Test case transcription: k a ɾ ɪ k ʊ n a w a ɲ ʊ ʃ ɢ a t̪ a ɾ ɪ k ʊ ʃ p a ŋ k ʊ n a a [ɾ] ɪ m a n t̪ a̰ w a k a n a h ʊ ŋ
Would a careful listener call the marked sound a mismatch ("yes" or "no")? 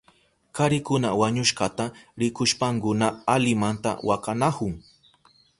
yes